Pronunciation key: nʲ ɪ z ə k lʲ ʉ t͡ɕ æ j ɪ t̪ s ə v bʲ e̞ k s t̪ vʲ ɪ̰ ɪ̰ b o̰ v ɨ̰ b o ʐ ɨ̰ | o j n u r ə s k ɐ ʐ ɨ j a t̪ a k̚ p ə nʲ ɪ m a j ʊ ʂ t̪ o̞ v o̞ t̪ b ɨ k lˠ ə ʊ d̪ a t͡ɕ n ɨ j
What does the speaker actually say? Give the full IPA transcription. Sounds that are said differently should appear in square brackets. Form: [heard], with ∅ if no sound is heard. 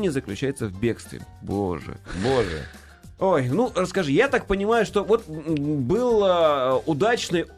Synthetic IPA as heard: nʲ ɪ z ə k lʲ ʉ t͡ɕ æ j ɪ t̪ s ə v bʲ e̞ k s t̪ vʲ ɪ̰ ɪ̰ b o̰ [ʐ] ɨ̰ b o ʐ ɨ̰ | o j n u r ə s k ɐ ʐ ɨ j a t̪ a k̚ p ə nʲ ɪ m a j ʊ ʂ t̪ o̞ v o̞ t̪ b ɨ [∅] lˠ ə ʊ d̪ a t͡ɕ n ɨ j